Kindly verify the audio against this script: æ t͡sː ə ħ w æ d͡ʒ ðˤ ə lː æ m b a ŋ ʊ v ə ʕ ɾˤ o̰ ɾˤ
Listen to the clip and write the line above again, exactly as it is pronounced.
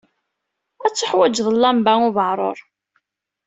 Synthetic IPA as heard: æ t͡sː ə ħ w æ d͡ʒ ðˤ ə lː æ m b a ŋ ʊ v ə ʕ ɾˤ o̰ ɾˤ